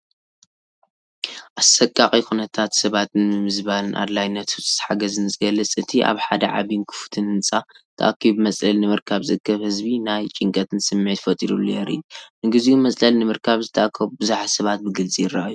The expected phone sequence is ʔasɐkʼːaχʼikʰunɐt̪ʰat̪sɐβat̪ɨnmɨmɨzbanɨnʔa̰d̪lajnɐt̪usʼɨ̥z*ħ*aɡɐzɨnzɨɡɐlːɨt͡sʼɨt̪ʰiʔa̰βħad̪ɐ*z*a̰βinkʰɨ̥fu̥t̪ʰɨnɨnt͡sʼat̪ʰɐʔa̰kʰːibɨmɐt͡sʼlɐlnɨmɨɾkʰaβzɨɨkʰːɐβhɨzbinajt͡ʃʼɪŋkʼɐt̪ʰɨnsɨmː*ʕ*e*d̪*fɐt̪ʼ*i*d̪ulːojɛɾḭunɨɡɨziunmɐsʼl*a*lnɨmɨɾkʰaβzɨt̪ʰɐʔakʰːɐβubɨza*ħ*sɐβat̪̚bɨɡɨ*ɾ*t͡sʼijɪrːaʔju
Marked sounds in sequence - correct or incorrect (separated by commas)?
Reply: correct, incorrect, correct, incorrect, correct, incorrect, correct, incorrect